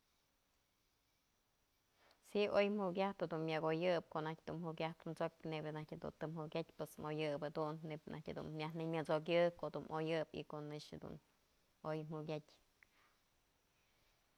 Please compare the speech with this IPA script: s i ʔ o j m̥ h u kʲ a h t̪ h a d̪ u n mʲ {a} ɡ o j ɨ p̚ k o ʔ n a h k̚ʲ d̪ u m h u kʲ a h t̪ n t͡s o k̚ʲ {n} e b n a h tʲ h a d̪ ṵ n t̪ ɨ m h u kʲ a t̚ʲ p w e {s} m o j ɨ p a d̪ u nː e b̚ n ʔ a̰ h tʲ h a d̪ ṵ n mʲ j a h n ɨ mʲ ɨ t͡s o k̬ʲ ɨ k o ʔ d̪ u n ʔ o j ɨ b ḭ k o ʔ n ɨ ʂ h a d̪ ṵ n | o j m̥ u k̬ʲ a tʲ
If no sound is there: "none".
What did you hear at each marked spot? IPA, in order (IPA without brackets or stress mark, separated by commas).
a, n, s